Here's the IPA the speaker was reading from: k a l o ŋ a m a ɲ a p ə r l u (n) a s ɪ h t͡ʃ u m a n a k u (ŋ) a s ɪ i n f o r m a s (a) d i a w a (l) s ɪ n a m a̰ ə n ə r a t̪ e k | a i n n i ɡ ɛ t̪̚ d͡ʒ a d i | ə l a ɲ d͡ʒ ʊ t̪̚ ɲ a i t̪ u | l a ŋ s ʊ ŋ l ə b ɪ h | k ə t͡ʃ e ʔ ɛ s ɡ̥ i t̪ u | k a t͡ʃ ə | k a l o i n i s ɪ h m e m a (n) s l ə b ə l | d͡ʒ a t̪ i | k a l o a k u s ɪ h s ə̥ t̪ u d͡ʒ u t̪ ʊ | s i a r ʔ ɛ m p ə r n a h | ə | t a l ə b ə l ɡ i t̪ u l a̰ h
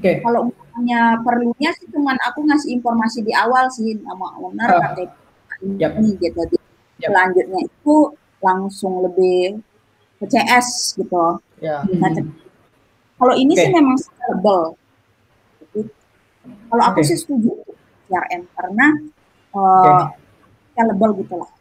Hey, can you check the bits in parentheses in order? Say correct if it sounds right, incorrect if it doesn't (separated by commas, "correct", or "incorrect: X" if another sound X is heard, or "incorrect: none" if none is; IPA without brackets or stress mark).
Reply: incorrect: ɲ, correct, incorrect: i, correct, incorrect: ŋ